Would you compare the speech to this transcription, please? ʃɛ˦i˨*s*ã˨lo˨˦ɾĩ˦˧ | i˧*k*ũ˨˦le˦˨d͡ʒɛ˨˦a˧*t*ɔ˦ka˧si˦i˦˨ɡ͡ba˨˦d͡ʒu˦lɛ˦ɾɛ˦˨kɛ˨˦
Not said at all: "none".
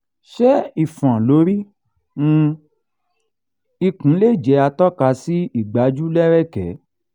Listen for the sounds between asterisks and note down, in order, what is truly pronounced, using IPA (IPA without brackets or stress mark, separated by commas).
f, k, t